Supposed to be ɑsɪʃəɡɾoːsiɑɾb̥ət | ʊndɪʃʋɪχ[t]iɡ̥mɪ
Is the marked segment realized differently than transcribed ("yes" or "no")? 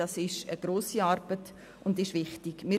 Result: no